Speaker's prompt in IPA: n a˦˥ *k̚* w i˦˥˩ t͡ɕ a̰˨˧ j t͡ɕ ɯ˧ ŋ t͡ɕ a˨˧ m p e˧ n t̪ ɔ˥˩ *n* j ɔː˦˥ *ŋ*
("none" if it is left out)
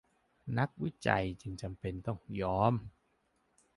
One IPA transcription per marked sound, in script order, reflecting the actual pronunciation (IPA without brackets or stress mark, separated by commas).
k̚, ŋ, m